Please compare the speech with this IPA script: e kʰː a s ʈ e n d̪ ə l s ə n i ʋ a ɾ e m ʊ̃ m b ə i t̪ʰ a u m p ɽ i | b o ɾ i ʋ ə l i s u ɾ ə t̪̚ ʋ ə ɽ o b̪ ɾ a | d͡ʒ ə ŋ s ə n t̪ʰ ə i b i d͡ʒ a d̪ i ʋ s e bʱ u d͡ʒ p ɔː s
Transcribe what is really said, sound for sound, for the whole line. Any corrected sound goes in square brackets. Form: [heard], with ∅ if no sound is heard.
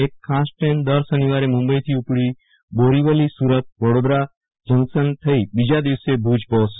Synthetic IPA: e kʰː a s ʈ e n d̪ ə [ɾ] s ə n i ʋ a ɾ e m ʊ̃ m b ə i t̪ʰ [i] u [∅] p ɽ i | b o ɾ i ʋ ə l i s u ɾ ə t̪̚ ʋ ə ɽ o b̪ ɾ a | d͡ʒ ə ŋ s ə n t̪ʰ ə i b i d͡ʒ a d̪ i ʋ s e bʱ u d͡ʒ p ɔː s